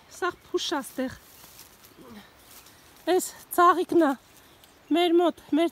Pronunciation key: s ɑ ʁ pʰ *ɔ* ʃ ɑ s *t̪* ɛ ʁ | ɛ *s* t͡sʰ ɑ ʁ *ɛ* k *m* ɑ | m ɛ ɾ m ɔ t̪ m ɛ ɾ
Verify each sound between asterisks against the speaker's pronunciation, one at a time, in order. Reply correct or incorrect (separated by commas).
incorrect, correct, correct, incorrect, incorrect